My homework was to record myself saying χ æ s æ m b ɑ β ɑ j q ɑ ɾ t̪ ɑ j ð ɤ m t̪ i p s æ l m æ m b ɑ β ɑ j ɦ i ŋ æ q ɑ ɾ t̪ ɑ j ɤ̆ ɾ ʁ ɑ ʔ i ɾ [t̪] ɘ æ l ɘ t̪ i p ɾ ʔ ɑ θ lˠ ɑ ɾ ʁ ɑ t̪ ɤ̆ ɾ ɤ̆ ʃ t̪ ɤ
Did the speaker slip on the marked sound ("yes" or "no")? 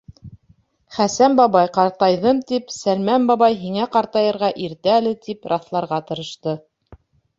no